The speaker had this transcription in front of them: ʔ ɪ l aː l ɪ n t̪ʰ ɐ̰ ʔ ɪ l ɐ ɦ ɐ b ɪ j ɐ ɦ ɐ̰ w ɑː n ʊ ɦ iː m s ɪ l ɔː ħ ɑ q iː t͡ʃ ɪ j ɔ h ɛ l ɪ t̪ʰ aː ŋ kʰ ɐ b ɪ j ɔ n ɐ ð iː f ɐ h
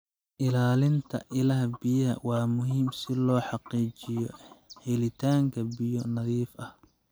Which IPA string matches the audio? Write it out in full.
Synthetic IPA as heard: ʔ ɪ l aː l ɪ n t̪ʰ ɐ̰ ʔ ɪ l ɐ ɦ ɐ b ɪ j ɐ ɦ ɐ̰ w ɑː m ʊ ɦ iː m s ɪ l ɔː ħ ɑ q iː t͡ʃ ɪ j ɔ h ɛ l ɪ t̪ʰ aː ŋ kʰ ɐ b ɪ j ɔ n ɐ ð iː f ɐ h

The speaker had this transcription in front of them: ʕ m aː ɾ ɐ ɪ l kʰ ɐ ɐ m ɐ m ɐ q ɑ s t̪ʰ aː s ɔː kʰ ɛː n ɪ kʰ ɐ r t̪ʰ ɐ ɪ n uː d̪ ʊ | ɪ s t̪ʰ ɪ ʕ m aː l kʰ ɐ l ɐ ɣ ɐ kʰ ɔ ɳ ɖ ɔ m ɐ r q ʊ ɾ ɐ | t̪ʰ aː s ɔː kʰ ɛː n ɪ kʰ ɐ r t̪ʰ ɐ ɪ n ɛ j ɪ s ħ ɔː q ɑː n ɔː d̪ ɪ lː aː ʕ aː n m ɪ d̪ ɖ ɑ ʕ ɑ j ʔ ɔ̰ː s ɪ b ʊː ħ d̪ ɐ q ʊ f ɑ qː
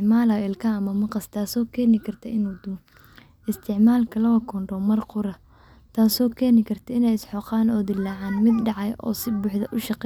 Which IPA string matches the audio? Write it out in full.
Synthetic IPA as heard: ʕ m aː l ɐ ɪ l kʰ ɐ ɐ m ɐ m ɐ q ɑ s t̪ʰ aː s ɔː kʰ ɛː n ɪ kʰ ɐ r t̪ʰ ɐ ɪ n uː d̪ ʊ | ɪ s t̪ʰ ɪ ʕ m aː l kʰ ɐ l ɐ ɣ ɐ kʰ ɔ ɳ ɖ ɔ m ɐ r q ʊ ɾ ɐ | t̪ʰ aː s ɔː kʰ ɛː n ɪ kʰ ɐ r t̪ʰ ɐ ɪ n ɛ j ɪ s ħ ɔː q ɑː n ɔː d̪ ɪ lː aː ʕ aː n m ɪ d̪ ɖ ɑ ʕ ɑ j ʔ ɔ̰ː s ɪ b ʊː ħ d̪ ɐ ʔ ʊ ʃ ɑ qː

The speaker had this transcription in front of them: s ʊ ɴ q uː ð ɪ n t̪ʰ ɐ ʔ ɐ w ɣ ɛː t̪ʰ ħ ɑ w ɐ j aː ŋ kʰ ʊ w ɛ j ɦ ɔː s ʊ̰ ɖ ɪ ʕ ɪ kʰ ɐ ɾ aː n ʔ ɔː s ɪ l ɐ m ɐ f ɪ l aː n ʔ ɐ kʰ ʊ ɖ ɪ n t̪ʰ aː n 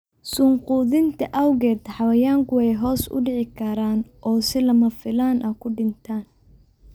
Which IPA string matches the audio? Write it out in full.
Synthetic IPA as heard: s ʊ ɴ q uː ð ɪ n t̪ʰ ɐ ʔ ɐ w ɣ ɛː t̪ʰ ħ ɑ w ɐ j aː ŋ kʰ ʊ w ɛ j ɦ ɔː s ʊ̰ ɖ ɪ ʕ ɪ kʰ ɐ ɾ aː n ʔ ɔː s ɪ l ɐ m ɐ f ɪ l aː n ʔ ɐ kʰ ʊ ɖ ɪ n t̪ʰ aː n

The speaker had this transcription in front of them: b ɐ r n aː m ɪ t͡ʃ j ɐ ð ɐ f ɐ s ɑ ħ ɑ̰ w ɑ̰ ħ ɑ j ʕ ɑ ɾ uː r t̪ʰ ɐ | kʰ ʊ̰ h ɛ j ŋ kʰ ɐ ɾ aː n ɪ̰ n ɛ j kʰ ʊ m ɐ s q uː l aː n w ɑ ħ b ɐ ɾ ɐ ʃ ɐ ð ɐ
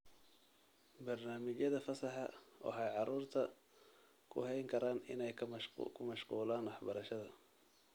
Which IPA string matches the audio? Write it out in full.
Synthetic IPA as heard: b ɐ r n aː m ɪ t͡ʃ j ɐ ð ɐ f ɐ s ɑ ħ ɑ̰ w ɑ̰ ħ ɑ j ʕ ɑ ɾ uː r t̪ʰ ɐ | kʰ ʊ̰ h ɛ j ŋ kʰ ɐ ɾ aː n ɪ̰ n ɛ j kʰ ʊ m ɐ ʃ q uː l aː n w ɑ ħ b ɐ ɾ ɐ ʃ ɐ ð ɐ

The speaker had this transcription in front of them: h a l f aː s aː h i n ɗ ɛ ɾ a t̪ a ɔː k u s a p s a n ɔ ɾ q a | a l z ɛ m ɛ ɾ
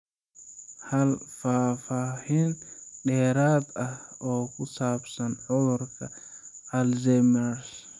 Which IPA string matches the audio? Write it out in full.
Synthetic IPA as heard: h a l f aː f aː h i n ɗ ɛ ɾ a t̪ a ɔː k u s a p s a n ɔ ɾ k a | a l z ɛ m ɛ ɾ

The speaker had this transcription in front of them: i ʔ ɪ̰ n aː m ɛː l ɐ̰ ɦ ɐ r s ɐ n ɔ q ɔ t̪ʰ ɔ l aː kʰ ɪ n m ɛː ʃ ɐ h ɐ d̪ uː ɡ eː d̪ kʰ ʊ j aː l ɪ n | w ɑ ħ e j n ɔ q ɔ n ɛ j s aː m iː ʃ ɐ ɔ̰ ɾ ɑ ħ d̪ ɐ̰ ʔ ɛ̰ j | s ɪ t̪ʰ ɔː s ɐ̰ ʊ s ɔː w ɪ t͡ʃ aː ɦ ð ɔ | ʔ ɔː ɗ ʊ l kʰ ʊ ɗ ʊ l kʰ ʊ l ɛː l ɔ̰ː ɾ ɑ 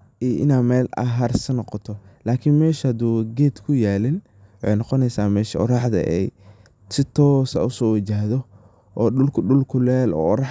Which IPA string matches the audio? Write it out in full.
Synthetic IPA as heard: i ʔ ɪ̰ n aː m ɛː l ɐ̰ ɦ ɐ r s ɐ n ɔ q ɔ t̪ʰ ɔ l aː kʰ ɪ n m ɛː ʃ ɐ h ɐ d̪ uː ɡ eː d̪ kʰ ʊ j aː l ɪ n | w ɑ ħ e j n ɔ q ɔ n ɛ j s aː m ɛː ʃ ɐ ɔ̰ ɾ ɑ ħ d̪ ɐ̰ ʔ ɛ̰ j | s ɪ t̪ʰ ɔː s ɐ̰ ʊ s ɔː w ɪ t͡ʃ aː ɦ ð ɔ | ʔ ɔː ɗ ʊ l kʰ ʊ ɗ ʊ l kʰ ʊ l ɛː l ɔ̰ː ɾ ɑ

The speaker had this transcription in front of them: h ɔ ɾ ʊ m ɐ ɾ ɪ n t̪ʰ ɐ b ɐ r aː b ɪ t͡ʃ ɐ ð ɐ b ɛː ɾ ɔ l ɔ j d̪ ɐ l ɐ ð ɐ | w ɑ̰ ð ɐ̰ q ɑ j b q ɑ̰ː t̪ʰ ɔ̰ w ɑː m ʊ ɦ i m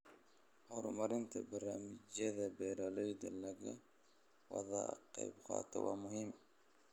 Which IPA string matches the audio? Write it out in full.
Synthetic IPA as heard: h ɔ ɾ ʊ m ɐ ɾ ɪ n t̪ʰ ɐ b ɐ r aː m ɪ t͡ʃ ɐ ð ɐ b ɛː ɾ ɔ l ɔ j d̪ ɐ l ɐ ɣ ɐ | w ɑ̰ ð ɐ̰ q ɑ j b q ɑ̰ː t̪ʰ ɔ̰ w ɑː m ʊ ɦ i m

